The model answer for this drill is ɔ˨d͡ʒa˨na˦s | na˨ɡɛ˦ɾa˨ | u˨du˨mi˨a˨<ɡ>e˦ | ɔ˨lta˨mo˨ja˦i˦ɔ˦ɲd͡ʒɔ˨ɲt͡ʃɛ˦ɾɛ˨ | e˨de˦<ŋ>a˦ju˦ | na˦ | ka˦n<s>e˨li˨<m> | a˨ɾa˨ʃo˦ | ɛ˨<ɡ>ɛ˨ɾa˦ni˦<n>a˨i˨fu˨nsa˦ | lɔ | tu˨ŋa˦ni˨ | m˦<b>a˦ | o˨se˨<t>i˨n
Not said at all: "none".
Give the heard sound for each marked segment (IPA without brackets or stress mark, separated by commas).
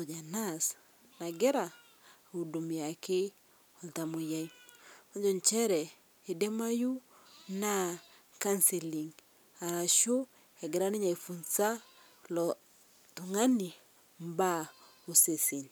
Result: k, m, s, ŋ, ɡ, ɲ, b, s